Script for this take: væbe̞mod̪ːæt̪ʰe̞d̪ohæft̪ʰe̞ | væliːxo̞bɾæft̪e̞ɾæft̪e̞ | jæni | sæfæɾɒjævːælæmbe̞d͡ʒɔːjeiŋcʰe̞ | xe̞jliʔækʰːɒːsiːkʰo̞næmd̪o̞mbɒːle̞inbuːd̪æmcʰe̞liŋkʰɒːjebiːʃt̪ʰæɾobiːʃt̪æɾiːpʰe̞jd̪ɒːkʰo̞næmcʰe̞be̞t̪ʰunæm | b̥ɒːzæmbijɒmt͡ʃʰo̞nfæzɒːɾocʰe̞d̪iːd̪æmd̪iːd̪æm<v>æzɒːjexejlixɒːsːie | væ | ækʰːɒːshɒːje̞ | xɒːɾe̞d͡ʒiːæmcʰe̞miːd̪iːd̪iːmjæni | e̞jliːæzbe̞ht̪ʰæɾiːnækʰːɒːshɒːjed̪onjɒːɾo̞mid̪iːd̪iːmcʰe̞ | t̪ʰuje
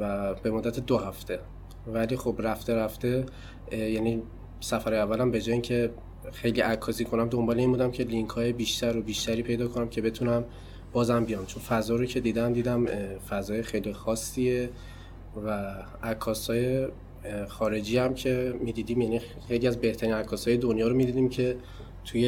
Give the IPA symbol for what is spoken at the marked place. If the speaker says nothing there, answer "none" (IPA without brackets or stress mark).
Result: f